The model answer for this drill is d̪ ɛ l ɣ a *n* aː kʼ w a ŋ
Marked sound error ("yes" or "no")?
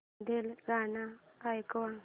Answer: no